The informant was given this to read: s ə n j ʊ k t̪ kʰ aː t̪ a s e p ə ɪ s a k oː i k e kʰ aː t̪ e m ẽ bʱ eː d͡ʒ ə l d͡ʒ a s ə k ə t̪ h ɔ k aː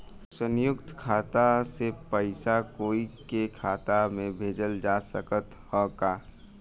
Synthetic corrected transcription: s ə n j ʊ k t̪ kʰ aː t̪ a s e p ə ɪ s a k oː i k e kʰ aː t̪ a m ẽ bʱ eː d͡ʒ ə l d͡ʒ a s ə k ə t̪ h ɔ k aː

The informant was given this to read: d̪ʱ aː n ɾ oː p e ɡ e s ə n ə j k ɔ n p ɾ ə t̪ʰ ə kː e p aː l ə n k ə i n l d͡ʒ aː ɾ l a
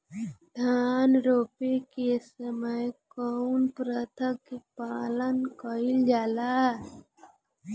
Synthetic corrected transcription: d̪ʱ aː n ɾ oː p e k e s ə m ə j k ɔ n p ɾ ə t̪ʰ ə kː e p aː l ə n k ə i l d͡ʒ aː l a

